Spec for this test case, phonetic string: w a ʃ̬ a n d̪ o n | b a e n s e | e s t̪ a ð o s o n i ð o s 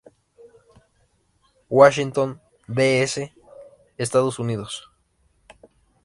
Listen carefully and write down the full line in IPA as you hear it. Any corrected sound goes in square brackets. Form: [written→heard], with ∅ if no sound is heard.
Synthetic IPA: w a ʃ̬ [a→i] n [d̪→t̪] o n | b [a→e] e [n→∅] s e | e s t̪ a ð o s [o→u] n i ð o s

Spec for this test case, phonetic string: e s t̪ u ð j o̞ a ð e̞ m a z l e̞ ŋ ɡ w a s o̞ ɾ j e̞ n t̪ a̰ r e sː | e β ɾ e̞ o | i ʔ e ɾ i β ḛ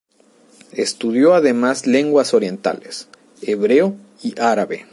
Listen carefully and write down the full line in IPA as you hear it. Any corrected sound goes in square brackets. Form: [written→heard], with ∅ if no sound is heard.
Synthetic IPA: e s t̪ u ð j o̞ a ð e̞ m a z l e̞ ŋ ɡ w a s o̞ ɾ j e̞ n t̪ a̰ [r→l] e [sː→s] | e β ɾ e̞ o | i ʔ [e→a] ɾ [i→a] β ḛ

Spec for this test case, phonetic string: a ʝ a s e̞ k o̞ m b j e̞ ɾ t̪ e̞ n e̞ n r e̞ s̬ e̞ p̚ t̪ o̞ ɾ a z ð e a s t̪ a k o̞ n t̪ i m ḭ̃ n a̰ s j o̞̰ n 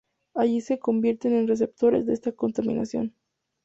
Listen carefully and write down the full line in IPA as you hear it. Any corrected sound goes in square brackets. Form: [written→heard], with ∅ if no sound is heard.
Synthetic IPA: a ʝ [a→i] s e̞ k o̞ m b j e̞ ɾ t̪ e̞ n e̞ n r e̞ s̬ e̞ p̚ t̪ o̞ ɾ [a→e] z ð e [a→e] s t̪ a k o̞ n t̪ [i→a] m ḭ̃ n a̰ s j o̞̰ n

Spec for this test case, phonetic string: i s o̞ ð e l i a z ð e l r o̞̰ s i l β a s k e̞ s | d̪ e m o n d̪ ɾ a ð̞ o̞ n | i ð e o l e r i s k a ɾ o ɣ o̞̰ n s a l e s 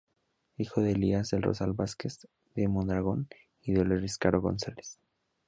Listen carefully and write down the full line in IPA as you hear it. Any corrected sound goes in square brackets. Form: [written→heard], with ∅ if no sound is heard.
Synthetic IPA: i [s→x] o̞ ð e l i a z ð e l r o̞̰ s [i→a] l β a s k e̞ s | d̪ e m o n d̪ ɾ a [ð̞→ɣ̞] o̞ n | i ð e o l e r i s k a ɾ o ɣ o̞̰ n s a l e s

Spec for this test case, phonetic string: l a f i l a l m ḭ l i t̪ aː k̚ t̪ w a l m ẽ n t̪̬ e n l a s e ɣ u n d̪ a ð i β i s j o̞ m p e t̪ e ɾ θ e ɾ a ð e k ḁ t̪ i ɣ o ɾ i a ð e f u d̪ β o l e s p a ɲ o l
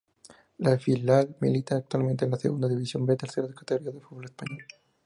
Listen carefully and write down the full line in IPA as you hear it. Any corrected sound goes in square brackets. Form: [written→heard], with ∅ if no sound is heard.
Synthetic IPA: l a f i l a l m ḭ l i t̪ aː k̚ t̪ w a l m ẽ n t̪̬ e n l a s e ɣ u n d̪ a ð i β i s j o̞ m [p→b] e t̪ e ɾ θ e ɾ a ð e k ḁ t̪ [i→e] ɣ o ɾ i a ð e f u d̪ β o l e s p a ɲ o l

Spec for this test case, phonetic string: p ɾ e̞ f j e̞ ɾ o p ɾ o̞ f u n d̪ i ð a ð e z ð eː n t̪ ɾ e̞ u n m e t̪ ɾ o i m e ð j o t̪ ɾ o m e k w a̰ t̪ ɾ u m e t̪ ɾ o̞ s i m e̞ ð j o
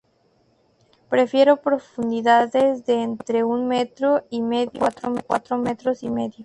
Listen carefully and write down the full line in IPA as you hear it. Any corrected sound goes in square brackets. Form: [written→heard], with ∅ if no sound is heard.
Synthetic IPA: p ɾ e̞ f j e̞ ɾ o p ɾ o̞ f u n d̪ i ð a ð e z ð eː n t̪ ɾ e̞ u n m e t̪ ɾ o i m e ð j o t̪ ɾ o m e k w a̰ t̪ ɾ [u→o] m e t̪ ɾ o̞ s i m e̞ ð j o

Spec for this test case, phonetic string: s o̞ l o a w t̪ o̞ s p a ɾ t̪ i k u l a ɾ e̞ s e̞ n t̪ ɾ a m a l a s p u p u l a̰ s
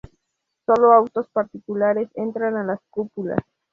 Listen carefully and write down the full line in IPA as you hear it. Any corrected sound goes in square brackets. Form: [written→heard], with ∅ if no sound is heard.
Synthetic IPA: s o̞ l o a w t̪ o̞ s p a ɾ t̪ i k u l a ɾ e̞ s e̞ n t̪ ɾ a [m→n] a l a s [p→k] u p u l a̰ s

